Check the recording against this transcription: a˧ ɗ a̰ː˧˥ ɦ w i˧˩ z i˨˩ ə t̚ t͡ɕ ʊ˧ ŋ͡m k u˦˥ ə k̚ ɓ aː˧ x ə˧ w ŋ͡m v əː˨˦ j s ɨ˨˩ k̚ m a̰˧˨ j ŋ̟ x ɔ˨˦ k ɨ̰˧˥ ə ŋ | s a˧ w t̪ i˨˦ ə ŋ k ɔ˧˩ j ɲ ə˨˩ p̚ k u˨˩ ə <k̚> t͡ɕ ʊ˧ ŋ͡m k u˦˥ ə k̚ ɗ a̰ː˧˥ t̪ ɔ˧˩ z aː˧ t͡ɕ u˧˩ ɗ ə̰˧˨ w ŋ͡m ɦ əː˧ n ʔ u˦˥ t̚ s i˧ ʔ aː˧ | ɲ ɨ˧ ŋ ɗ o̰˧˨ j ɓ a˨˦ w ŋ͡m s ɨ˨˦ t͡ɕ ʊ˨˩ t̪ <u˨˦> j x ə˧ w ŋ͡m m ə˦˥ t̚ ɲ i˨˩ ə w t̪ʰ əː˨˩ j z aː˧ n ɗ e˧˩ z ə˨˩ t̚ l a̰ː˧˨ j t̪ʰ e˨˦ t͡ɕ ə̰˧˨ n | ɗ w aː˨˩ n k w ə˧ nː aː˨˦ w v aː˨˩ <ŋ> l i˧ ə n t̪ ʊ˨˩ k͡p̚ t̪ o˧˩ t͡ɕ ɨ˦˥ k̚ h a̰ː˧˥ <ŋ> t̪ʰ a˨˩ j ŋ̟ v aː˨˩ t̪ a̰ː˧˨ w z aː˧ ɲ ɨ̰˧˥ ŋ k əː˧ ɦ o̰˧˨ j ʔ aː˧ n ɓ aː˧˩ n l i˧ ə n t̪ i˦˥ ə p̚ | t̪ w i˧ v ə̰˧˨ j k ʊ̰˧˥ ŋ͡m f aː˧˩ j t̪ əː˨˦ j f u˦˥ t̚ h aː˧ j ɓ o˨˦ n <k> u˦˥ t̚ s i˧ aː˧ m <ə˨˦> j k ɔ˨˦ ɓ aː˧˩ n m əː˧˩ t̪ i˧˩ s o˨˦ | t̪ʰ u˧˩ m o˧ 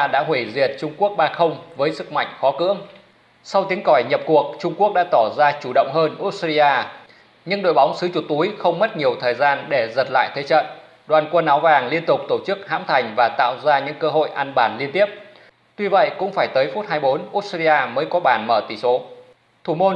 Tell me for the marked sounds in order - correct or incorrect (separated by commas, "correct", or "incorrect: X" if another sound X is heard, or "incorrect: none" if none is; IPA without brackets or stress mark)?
correct, correct, correct, incorrect: m, incorrect: ʔ, incorrect: əː˨˦